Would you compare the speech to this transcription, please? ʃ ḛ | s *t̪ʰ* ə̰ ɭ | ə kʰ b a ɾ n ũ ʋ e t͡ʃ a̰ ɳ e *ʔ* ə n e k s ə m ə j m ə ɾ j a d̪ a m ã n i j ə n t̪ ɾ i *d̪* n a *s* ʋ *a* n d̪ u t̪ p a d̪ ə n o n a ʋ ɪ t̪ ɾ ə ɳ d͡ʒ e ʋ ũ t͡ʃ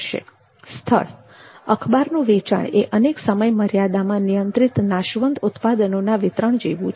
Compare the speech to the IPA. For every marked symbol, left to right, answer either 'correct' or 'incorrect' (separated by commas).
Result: correct, correct, incorrect, incorrect, incorrect